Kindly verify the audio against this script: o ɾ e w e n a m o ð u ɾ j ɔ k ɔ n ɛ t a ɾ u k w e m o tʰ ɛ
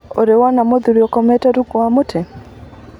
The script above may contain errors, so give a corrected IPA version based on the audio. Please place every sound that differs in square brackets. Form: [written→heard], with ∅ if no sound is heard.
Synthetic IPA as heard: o ɾ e w [e→a] n a m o ð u ɾ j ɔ k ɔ [n→m] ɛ t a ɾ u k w [e→a] m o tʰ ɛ